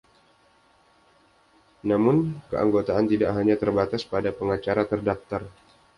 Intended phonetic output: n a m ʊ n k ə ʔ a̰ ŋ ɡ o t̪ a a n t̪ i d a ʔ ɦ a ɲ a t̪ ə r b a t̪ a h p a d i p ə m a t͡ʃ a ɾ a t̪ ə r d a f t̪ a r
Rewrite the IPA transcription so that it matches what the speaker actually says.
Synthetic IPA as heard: n a m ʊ n k ə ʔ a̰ ŋ ɡ o t̪ a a n t̪ i d a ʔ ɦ a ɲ a t̪ ə r b a t̪ a s p a d a p ə ŋ a t͡ʃ a ɾ a t̪ ə r d a f t̪ a r